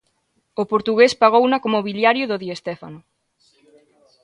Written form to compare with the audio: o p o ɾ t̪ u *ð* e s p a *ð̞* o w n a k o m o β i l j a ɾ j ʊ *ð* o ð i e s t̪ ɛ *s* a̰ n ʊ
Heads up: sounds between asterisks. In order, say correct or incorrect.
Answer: incorrect, incorrect, correct, incorrect

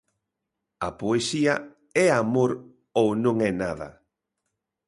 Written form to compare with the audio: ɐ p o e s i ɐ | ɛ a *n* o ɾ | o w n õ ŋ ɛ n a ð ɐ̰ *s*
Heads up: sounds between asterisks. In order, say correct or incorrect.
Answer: incorrect, incorrect

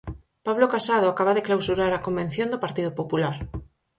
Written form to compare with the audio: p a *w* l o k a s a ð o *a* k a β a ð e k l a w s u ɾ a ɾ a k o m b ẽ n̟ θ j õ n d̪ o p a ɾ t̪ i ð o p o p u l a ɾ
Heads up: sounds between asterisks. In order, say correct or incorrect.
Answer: incorrect, correct

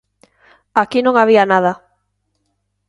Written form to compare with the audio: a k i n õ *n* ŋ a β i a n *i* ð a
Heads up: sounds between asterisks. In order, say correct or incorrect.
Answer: incorrect, incorrect

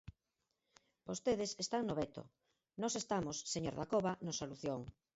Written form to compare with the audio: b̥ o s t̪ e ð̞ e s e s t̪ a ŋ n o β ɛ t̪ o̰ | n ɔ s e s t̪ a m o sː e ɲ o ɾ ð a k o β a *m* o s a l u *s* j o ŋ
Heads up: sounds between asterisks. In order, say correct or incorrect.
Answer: incorrect, incorrect

